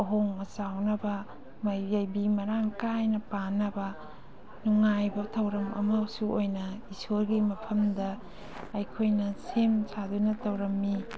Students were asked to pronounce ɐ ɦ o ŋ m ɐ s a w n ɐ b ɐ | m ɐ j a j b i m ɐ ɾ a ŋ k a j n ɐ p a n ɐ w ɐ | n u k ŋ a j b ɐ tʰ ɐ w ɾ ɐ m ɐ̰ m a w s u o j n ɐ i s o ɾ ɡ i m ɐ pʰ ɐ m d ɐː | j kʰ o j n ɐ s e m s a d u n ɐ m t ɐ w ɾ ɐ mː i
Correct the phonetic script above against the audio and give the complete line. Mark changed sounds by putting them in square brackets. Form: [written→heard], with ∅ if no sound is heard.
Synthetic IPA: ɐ ɦ o ŋ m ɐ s a w n ɐ b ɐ | m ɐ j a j b i m ɐ ɾ a ŋ k a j n ɐ p a n ɐ [w→b] ɐ | n u [k→∅] ŋ a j b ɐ tʰ ɐ w ɾ ɐ m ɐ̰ m a w s u o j n ɐ i s o ɾ ɡ i m ɐ pʰ ɐ m d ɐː | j kʰ o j n ɐ s e m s a d u n ɐ [m→∅] t ɐ w ɾ ɐ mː i